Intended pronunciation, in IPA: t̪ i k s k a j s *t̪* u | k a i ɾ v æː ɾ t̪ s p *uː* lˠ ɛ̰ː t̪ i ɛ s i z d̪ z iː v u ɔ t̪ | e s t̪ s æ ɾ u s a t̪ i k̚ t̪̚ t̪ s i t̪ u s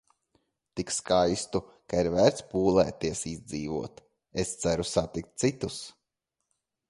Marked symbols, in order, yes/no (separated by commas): yes, yes